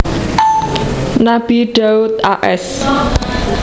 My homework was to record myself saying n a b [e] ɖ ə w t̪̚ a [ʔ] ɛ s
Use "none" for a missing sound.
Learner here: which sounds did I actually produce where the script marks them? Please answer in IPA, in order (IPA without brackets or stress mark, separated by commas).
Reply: i, ʔ